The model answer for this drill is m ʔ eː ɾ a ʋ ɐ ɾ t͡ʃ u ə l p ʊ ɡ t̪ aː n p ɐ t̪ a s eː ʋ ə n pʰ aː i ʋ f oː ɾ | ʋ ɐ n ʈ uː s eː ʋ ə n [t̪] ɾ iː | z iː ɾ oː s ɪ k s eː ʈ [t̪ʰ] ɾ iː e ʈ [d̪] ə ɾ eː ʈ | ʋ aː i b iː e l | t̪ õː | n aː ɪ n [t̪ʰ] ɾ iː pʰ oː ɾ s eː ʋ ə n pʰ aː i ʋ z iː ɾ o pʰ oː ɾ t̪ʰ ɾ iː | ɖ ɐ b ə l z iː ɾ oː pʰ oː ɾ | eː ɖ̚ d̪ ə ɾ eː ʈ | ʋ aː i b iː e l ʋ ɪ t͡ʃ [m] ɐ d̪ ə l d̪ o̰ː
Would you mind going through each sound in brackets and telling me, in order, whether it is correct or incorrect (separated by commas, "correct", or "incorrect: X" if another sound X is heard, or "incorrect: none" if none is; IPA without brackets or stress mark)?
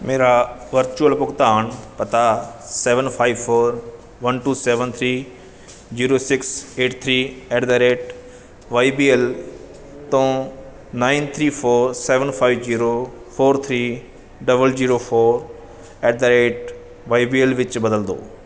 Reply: incorrect: t̪ʰ, correct, correct, correct, incorrect: b